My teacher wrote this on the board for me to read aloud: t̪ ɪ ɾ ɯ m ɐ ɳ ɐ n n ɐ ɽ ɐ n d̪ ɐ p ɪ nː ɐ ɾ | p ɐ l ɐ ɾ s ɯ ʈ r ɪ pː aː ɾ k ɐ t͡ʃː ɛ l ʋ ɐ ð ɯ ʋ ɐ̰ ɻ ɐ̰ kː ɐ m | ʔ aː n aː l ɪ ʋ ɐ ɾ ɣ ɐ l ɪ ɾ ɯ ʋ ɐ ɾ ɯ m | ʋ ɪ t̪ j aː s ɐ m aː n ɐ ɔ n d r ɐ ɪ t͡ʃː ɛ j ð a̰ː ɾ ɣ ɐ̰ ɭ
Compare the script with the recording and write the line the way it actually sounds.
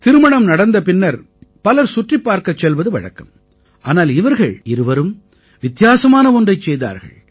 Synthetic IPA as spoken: t̪ ɪ ɾ ɯ m ɐ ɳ ɐ m n ɐ ɽ ɐ n d̪ ɐ p ɪ nː ɐ ɾ | p ɐ l ɐ ɾ s ʊ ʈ r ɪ pː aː ɾ k ɐ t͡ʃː ɛ l ʋ ɐ ð ɯ ʋ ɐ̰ ɻ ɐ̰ kː ɐ m | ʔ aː n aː l ɪ ʋ ɐ ɾ ɣ ɐ ɭ ɪ ɾ ɯ ʋ ɐ ɾ ɯ m | ʋ ɪ t̪ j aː s ɐ m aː n ɐ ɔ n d r ɐ ɪ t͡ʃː ɛ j ð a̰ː ɾ ɣ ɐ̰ ɭ